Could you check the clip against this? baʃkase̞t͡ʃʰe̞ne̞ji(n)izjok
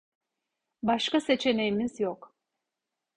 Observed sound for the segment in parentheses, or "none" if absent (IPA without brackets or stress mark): m